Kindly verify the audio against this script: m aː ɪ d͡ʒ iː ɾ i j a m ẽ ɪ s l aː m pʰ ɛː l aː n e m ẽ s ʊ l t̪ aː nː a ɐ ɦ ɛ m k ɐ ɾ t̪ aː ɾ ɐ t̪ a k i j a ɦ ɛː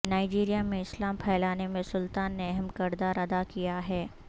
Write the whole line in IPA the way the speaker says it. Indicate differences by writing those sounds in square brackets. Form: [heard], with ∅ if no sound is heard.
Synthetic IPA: [n] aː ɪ d͡ʒ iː ɾ i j a m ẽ ɪ s l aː m pʰ ɛː l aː n e m ẽ s ʊ l t̪ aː nː [e] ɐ ɦ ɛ m k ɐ ɾ [d̪] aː ɾ ɐ [d̪] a k i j a ɦ ɛː